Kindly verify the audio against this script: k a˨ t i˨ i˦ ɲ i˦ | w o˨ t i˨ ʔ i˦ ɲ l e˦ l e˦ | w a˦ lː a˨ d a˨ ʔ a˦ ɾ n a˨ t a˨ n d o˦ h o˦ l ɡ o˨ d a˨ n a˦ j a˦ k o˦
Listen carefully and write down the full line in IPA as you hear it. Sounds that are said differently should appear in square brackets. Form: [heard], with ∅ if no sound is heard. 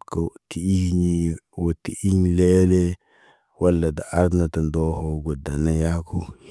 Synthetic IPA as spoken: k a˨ t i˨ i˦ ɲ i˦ | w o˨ t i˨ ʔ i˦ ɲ l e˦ l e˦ | w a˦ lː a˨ d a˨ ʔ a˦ ɾ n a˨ t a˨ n d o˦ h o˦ [∅] ɡ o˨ d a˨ n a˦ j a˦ k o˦